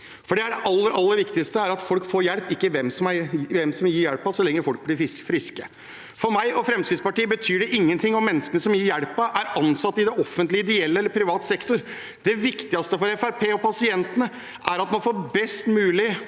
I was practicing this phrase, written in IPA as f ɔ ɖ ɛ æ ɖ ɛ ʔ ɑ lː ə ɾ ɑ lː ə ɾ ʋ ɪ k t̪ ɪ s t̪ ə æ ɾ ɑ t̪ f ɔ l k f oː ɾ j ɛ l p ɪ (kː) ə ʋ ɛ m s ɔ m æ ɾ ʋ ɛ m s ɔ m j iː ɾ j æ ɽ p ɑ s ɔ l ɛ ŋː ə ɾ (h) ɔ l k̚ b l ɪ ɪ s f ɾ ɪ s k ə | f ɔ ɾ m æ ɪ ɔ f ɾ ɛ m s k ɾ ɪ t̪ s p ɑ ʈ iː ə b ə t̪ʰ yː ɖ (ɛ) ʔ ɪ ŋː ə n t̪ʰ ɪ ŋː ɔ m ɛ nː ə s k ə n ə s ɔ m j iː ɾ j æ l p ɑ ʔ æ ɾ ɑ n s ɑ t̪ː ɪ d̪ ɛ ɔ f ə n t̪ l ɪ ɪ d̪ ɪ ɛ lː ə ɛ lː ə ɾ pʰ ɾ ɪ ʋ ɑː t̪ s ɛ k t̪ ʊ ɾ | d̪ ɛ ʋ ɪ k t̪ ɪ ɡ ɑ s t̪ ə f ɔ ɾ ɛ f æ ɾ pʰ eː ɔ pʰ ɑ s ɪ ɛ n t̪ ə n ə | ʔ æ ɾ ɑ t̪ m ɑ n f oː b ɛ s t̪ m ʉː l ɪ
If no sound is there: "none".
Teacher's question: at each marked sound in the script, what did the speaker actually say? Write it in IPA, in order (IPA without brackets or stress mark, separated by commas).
kː, f, ɛ